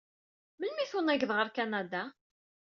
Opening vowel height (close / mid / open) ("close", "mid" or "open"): mid